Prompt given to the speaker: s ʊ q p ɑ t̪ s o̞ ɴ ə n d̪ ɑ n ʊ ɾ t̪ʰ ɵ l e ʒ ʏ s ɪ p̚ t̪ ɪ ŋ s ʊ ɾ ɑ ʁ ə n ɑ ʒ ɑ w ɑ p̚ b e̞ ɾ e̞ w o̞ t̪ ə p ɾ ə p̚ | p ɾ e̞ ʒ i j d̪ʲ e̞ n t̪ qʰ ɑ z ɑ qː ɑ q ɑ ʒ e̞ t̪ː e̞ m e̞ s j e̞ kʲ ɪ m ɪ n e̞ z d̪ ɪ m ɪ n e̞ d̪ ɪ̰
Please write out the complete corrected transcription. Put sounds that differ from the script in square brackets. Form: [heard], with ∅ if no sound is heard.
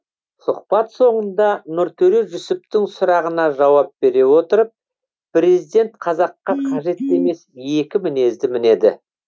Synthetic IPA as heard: s ʊ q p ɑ t̪ s o̞ ɴ ə n d̪ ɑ n ʊ ɾ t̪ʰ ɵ [ɾ] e ʒ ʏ s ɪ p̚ t̪ ɪ ŋ s ʊ ɾ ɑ ʁ ə n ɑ ʒ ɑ w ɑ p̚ b e̞ ɾ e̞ w o̞ t̪ ə [∅] ɾ ə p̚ | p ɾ e̞ [z] i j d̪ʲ e̞ n t̪ qʰ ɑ z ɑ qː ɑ [qʰ] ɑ ʒ e̞ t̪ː e̞ m e̞ s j e̞ kʲ ɪ m ɪ n e̞ z d̪ ɪ m ɪ n e̞ d̪ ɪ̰